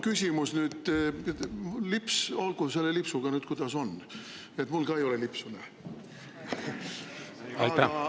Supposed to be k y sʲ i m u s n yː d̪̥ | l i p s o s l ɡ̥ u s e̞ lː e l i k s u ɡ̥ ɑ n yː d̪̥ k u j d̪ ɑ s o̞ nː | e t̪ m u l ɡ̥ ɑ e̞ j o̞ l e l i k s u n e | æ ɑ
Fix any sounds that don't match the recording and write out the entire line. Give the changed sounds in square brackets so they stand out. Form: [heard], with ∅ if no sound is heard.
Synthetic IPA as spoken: k y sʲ i m u s n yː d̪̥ | l i p s o [∅] l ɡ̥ u s e̞ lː e l i [p] s u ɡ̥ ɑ n yː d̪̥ k u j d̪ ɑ s o̞ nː | e t̪ m u l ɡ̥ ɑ e̞ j o̞ l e l i [p] s u n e | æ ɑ